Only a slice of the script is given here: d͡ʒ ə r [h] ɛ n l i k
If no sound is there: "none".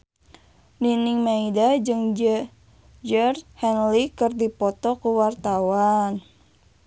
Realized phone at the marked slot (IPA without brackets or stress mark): h